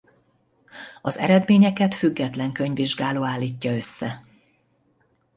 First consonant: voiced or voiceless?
voiced